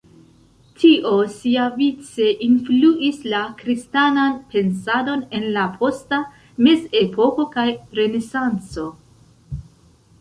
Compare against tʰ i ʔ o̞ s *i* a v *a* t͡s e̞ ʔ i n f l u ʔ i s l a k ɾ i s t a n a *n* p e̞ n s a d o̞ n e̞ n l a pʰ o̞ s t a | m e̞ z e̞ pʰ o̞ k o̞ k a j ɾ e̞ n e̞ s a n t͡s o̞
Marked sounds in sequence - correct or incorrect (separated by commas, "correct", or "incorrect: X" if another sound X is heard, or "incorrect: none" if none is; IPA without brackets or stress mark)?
correct, incorrect: i, correct